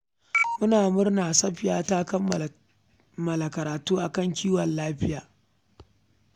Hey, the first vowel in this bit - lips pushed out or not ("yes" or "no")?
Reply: yes